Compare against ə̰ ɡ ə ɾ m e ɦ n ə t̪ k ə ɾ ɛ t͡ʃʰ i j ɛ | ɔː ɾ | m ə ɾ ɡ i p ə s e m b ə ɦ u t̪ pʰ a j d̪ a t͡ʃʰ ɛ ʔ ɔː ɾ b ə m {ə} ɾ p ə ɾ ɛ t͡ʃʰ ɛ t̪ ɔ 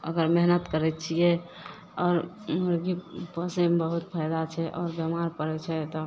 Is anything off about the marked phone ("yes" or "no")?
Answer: yes